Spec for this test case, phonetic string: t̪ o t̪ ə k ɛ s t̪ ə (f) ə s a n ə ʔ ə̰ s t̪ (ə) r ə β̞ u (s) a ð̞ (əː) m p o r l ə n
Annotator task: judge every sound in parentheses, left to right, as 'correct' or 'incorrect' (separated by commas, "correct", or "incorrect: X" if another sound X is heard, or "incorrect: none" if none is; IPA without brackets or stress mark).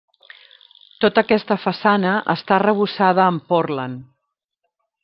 correct, incorrect: a, correct, correct